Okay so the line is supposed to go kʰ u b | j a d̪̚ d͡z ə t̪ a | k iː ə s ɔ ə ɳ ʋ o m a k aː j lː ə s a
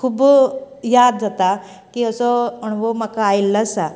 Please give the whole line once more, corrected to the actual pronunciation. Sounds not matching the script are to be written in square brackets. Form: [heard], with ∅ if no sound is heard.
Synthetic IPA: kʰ u b | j a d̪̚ d͡z [a] t̪ a | k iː ə s ɔ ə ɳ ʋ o m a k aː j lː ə s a

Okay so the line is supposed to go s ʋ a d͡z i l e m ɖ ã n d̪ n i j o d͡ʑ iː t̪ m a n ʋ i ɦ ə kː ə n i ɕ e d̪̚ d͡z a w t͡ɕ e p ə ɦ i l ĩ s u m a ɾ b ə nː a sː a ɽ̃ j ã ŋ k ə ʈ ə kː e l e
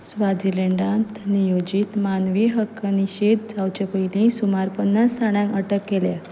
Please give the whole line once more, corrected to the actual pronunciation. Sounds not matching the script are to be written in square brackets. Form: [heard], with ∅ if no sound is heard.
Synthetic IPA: s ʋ a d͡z i l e [ɳ] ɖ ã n [t̪] n i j o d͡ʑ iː t̪ m a n ʋ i ɦ ə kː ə n i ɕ e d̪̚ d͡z a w t͡ɕ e p ə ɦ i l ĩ s u m a ɾ [p] ə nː a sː a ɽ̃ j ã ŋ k ə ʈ ə kː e l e

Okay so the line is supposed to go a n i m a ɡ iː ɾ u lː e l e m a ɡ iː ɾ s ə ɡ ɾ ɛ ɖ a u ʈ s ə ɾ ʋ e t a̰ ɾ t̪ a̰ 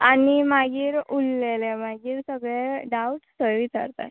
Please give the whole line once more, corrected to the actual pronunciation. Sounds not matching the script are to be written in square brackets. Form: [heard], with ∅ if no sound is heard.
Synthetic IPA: a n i m a ɡ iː ɾ u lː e l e m a ɡ iː ɾ s ə ɡ [ɭ] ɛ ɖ a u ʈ s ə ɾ ʋ [i] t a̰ ɾ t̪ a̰

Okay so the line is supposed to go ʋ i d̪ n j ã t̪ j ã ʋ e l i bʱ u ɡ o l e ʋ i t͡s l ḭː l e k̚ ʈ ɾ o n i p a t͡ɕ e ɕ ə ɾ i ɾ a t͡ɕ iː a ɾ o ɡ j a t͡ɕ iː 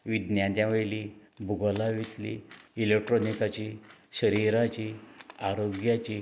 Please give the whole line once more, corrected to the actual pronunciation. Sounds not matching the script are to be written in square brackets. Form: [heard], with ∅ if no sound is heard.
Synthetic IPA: ʋ i d̪ n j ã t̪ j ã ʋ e l i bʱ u ɡ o l [a] ʋ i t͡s l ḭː l e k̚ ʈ ɾ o n i [k] a t͡ɕ [i] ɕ ə ɾ i ɾ a t͡ɕ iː a ɾ o ɡ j a t͡ɕ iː

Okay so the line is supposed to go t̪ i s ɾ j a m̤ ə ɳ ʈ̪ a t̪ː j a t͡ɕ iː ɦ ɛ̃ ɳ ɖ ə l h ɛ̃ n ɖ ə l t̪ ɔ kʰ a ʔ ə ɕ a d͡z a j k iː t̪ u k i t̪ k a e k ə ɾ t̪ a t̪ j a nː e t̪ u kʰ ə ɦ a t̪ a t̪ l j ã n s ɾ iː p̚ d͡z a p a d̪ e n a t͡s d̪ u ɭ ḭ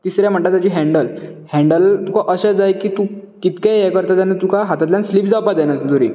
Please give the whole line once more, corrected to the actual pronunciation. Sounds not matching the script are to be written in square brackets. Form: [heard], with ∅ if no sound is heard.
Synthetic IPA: t̪ i s ɾ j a m̤ ə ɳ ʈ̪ a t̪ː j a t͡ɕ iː ɦ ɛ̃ ɳ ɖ ə l h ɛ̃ [ɳ] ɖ ə l t̪ [u] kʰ a ʔ ə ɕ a d͡z a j k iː t̪ u k i t̪ k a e k ə ɾ t̪ a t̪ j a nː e t̪ u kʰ [a] ɦ a t̪ a t̪ l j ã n s [l] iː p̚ d͡z a p a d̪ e n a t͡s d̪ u [ɾ] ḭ

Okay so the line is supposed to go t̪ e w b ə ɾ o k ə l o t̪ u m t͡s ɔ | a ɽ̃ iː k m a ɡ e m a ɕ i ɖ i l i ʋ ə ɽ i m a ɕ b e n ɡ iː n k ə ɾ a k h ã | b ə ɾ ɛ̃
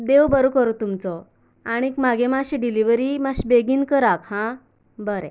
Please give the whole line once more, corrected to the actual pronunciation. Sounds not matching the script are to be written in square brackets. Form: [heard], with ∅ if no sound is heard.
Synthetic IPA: [d̪] e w b ə ɾ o k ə [ɾ] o t̪ u m t͡s ɔ | a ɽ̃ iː k m a ɡ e m a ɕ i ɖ i l i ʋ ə [ɾ] i m a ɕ b e [∅] ɡ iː n k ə ɾ a k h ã | b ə ɾ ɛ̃

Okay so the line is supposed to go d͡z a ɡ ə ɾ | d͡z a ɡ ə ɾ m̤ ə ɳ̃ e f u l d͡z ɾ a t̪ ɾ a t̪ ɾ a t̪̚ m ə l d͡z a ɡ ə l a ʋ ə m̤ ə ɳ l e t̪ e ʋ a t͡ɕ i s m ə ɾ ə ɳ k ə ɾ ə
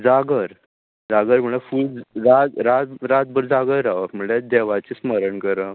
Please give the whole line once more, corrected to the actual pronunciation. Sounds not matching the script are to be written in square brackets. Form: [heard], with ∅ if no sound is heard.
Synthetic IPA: d͡z a ɡ ə ɾ | d͡z a ɡ ə ɾ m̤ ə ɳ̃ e f u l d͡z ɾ a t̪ ɾ a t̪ ɾ a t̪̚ [b] ə [ɾ] d͡z a ɡ ə [ɾ] a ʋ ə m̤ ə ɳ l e [d̪] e ʋ a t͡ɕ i s m ə ɾ ə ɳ k ə ɾ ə

